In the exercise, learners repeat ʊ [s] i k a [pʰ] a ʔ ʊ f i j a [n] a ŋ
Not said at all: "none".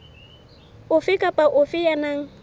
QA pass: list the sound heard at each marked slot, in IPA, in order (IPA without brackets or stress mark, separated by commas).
f, p, n